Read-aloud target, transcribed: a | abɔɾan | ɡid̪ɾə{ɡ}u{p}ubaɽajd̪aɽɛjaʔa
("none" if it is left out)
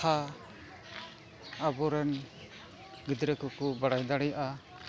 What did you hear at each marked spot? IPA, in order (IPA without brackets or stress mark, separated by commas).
k, k